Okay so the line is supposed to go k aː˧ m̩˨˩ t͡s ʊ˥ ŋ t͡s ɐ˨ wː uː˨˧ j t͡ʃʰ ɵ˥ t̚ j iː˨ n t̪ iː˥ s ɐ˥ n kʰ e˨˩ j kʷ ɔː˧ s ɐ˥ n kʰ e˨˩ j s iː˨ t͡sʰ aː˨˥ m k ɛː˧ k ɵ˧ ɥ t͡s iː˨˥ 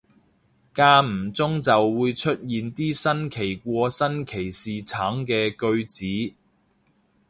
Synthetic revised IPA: k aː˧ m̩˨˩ t͡s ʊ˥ ŋ t͡s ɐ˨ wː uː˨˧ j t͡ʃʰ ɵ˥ t̚ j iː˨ n t̪ iː˥ s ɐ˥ n kʰ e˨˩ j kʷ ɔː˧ s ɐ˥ n kʰ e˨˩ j s iː˨ t͡sʰ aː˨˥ ŋ k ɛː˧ k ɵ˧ ɥ t͡s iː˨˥